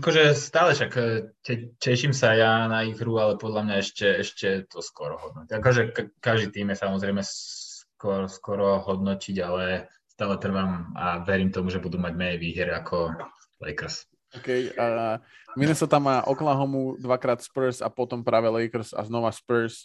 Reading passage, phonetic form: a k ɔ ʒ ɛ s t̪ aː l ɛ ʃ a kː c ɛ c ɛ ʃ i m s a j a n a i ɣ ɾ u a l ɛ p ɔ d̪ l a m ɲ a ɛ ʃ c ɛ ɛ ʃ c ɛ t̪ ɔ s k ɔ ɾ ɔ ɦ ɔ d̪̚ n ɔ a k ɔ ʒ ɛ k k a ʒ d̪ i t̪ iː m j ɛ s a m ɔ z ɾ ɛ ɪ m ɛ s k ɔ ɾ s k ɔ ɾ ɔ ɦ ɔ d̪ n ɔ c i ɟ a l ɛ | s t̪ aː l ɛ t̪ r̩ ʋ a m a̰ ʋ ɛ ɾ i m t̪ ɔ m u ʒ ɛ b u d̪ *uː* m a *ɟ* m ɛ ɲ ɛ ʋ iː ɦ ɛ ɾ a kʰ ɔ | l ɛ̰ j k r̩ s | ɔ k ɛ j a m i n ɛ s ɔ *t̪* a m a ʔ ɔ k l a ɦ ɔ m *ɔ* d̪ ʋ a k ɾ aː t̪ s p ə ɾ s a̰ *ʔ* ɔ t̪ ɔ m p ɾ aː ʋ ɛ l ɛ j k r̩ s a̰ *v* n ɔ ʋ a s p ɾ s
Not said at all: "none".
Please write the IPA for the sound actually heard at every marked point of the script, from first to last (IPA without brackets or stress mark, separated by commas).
u, ɟ, t̪, u, p, z